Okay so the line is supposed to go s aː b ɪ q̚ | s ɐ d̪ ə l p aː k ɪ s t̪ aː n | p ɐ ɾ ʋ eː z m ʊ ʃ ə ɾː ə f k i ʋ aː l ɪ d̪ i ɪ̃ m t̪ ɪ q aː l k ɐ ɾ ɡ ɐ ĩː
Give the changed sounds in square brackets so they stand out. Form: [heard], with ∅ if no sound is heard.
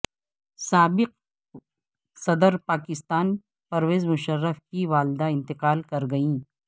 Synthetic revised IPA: s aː b ɪ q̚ | s ɐ d̪ ə [ɾ] p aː k ɪ s t̪ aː n | p ɐ ɾ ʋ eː z m ʊ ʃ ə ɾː ə f k i ʋ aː l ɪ d̪ [a] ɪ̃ [n] t̪ ɪ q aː l k ɐ ɾ ɡ ɐ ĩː